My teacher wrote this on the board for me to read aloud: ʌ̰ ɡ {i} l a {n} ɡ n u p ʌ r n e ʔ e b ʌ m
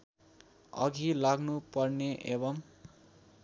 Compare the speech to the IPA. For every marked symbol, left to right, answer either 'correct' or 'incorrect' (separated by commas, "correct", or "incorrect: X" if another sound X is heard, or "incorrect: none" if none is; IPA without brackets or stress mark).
correct, incorrect: none